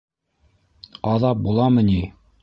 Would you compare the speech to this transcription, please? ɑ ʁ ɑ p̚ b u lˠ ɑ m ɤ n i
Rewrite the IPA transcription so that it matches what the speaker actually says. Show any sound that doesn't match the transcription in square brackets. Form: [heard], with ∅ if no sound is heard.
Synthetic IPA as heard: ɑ [ð] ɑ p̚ b u lˠ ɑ m ɤ n i

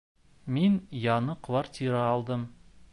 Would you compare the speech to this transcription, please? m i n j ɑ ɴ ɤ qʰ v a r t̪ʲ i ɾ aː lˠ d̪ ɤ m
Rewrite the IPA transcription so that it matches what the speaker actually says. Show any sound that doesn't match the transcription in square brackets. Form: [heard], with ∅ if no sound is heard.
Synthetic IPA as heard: m i n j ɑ [n] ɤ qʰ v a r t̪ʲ i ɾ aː lˠ d̪ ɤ m

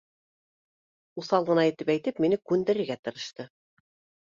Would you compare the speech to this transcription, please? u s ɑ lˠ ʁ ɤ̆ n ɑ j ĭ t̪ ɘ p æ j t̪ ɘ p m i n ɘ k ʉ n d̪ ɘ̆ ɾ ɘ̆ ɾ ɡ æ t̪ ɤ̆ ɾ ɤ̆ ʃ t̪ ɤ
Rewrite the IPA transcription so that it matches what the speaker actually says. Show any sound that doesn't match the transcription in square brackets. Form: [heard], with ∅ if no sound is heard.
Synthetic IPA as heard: u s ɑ lˠ ʁ ɤ̆ n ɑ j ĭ t̪ ɘ p æ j t̪ ɘ p m i n ɘ k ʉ n d̪ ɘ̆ ɾ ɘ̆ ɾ ɡ æ t̪ ɤ̆ ɾ ɤ̆ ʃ t̪ ɤ

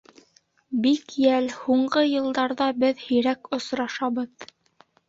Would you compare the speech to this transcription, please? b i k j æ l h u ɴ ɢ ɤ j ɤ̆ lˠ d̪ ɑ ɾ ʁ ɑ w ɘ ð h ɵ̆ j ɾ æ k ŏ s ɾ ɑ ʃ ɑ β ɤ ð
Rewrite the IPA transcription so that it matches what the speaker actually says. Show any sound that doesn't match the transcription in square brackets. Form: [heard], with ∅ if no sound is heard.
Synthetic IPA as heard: b i k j æ l h u ɴ ɢ ɤ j ɤ̆ lˠ d̪ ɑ ɾ [ð] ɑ [b] ɘ ð h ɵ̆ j ɾ æ k ŏ s ɾ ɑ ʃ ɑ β ɤ ð

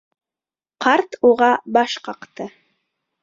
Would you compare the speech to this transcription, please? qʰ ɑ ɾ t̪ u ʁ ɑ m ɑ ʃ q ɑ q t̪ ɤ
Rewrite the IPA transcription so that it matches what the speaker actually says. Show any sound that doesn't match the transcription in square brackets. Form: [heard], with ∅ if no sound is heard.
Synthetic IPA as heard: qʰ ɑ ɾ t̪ u ʁ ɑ [b] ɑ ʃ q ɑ q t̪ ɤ

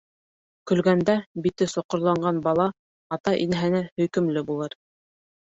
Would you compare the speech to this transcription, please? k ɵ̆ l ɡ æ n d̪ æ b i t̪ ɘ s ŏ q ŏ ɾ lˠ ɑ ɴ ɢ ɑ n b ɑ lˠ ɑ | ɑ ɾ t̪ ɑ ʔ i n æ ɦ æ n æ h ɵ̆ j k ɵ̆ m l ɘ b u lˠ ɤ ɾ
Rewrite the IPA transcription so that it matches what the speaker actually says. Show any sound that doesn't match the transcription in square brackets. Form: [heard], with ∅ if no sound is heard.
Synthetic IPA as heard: k ɵ̆ l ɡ æ n d̪ æ b i t̪ ɘ s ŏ q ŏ ɾ lˠ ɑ ɴ ɢ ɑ n b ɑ lˠ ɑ | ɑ [∅] t̪ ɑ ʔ i n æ ɦ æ n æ h ɵ̆ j k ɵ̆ m l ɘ b u lˠ ɤ ɾ

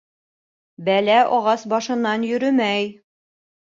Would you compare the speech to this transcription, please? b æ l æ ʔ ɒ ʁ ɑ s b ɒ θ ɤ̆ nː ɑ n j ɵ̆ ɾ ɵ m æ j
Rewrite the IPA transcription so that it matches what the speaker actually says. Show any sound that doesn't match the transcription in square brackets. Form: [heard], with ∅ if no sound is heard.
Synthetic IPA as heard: b æ l æ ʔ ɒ ʁ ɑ s b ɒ [ʃ] ɤ̆ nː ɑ n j ɵ̆ ɾ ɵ m æ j

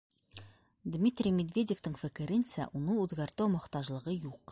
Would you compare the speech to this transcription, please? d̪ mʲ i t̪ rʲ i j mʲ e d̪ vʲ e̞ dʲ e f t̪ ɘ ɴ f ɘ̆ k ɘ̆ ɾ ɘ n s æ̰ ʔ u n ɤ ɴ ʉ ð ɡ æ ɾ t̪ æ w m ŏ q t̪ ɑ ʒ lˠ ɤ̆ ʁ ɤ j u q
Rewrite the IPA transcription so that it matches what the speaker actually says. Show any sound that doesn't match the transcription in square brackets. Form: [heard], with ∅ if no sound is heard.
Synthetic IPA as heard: d̪ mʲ i t̪ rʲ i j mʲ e d̪ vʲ e̞ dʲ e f t̪ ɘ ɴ f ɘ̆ k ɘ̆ ɾ ɘ n s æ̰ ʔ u n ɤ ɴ ʉ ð ɡ æ ɾ t̪ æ w m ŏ q t̪ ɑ ʒ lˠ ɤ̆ ʁ ɤ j u q

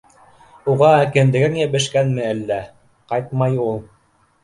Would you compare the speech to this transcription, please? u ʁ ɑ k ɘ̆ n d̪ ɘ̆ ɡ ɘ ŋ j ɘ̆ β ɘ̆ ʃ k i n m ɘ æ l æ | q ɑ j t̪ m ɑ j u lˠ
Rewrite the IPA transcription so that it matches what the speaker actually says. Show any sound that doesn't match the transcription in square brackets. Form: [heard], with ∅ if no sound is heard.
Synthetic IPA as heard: u ʁ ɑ k ɘ̆ n d̪ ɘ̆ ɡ ɘ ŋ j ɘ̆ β ɘ̆ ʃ k [æ] n m ɘ æ [lː] æ | q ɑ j t̪ m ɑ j u lˠ

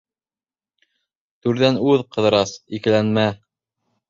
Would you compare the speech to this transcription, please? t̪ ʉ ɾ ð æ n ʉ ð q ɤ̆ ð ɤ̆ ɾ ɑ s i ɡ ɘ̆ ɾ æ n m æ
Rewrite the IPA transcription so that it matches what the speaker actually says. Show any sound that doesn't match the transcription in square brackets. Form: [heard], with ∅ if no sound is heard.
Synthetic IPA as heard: t̪ ʉ ɾ ð æ n ʉ ð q ɤ̆ ð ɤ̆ ɾ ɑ s i [k] ɘ̆ [l] æ n m æ

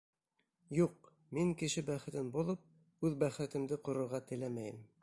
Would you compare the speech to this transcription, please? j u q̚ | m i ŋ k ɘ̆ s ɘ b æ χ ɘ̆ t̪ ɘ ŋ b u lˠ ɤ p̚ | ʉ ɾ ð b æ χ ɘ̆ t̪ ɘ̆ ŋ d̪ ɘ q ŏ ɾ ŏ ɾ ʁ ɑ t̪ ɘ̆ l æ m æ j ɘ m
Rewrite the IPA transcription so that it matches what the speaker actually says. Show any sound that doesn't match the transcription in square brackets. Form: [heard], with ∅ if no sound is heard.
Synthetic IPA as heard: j u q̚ | m i ŋ k ɘ̆ [ʃ] ɘ b æ χ ɘ̆ t̪ ɘ [n] b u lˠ ɤ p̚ | ʉ [∅] ð b æ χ ɘ̆ t̪ ɘ̆ [m] d̪ ɘ q ŏ ɾ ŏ ɾ ʁ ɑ t̪ ɘ̆ l æ m æ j ɘ m

